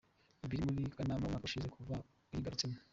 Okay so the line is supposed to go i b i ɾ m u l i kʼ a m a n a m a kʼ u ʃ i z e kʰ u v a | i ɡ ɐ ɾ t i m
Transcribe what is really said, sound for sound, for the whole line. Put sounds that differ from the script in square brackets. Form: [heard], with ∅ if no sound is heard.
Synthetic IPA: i b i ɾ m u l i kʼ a [n] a [m] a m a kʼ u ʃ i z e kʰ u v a | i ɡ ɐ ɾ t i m

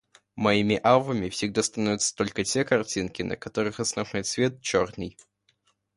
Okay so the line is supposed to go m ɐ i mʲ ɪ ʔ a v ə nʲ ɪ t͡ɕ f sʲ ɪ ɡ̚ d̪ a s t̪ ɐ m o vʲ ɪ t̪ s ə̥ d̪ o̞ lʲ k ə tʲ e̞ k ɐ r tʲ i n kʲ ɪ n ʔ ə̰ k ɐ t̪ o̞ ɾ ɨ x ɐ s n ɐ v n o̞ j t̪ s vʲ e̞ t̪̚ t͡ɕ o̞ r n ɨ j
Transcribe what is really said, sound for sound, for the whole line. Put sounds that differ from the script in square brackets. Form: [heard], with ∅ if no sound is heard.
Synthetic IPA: m ɐ i mʲ ɪ ʔ a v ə [mʲ] ɪ [∅] f sʲ ɪ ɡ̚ d̪ a s t̪ ɐ [n] o vʲ ɪ t̪ s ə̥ [t̪] o̞ lʲ k ə tʲ e̞ k ɐ r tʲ i n kʲ ɪ n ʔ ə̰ k ɐ t̪ o̞ ɾ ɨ x ɐ s n ɐ v n o̞ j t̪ s vʲ e̞ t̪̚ t͡ɕ o̞ r n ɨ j

